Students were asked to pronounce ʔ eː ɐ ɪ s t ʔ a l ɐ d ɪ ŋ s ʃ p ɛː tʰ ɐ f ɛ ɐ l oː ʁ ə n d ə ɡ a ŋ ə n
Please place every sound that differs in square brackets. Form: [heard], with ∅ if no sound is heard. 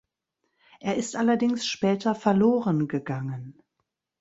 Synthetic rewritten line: ʔ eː ɐ ɪ s t ʔ a l ɐ d ɪ ŋ s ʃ p ɛː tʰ ɐ f ɛ ɐ l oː ʁ ə n [ɡ] ə ɡ a ŋ ə n